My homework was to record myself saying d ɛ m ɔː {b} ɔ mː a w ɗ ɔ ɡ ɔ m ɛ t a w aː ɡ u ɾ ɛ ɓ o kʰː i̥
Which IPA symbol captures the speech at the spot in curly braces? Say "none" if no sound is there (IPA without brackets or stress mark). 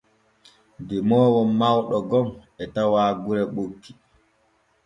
w